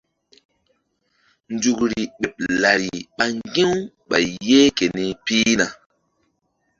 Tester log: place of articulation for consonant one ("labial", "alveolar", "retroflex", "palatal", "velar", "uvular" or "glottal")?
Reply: alveolar